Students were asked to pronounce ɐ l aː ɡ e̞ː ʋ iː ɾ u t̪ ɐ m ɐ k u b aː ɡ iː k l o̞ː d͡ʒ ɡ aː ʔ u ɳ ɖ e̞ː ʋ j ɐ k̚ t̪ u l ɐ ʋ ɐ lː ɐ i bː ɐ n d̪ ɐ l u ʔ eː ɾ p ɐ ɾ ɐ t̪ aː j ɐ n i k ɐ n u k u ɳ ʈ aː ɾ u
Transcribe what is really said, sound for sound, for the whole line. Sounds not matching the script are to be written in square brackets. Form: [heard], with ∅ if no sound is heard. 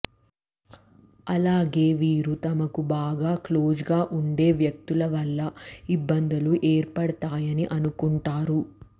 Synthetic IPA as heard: ɐ l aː ɡ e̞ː ʋ iː ɾ u t̪ ɐ m ɐ k u b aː ɡ [aː] k l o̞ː d͡ʒ ɡ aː ʔ u ɳ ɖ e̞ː ʋ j ɐ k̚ t̪ u l ɐ ʋ ɐ lː ɐ i bː ɐ n d̪ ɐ l u ʔ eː ɾ p ɐ [ɽ] ɐ t̪ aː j ɐ n i [ʔ] ɐ n u k u ɳ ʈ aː ɾ u